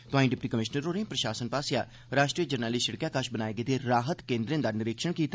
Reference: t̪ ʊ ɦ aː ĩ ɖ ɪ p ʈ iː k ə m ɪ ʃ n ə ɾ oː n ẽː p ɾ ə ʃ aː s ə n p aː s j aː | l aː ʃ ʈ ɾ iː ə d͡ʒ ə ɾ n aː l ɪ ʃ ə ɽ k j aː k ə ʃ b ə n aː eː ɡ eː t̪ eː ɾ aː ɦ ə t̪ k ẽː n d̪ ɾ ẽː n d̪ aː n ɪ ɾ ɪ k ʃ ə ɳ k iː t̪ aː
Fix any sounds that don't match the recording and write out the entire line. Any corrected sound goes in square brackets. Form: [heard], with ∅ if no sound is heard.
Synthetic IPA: t̪ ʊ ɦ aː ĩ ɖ ɪ p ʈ iː k ə m ɪ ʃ n ə ɾ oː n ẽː p ɾ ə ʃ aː s ə n p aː s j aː | [ɾ] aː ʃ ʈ ɾ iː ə d͡ʒ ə ɾ n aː l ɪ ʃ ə ɽ k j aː k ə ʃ b ə n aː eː ɡ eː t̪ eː ɾ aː ɦ ə t̪ k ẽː n d̪ ɾ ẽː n d̪ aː n ɪ ɾ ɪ k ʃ ə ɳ k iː t̪ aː